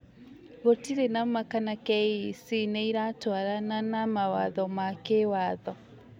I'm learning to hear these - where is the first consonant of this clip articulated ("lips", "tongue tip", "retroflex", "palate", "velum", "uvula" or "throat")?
velum